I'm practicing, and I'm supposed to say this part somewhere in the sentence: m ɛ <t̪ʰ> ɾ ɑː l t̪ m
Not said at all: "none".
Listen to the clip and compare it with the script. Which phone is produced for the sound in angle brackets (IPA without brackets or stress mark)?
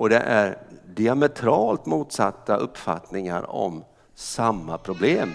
t̪ʰ